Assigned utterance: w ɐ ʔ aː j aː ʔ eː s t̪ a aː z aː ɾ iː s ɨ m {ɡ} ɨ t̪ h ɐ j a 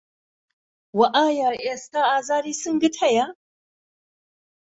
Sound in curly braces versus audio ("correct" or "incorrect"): correct